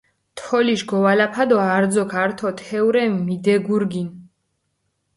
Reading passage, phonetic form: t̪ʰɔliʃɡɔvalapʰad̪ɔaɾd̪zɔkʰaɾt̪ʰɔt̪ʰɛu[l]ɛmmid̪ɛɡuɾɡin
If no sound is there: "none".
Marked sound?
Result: ɾ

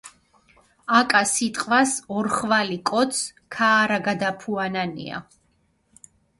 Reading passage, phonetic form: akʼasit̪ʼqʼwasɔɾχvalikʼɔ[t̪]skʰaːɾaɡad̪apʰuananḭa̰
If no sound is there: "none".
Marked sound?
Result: t̪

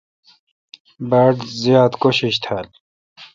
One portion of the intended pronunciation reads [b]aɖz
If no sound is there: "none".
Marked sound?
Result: b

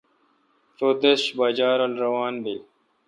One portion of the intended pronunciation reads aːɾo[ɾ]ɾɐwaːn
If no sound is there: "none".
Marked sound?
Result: l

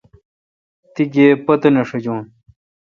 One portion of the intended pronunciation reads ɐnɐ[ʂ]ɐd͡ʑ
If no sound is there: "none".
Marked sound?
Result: ʂ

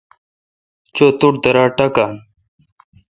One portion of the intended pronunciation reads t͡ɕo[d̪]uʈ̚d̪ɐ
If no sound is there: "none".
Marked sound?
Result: t̪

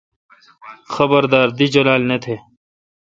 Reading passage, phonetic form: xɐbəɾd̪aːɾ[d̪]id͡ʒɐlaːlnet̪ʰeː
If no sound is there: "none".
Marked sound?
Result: d̪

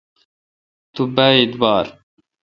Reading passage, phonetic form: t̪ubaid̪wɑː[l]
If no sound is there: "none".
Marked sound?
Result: ɾ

